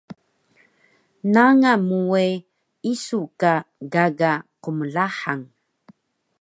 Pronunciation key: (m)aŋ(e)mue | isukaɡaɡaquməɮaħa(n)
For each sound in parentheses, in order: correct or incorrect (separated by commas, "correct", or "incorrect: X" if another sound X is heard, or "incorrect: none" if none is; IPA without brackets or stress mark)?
incorrect: n, incorrect: a, incorrect: ŋ